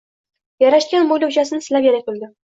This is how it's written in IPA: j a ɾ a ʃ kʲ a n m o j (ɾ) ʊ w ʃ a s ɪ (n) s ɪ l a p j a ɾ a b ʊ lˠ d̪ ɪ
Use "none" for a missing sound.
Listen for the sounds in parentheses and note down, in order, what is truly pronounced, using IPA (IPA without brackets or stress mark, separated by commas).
l, n